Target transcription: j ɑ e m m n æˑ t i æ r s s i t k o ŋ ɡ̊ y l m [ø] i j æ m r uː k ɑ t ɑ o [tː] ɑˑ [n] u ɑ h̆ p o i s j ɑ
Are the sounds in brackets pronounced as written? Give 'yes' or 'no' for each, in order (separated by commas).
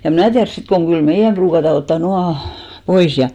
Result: no, yes, yes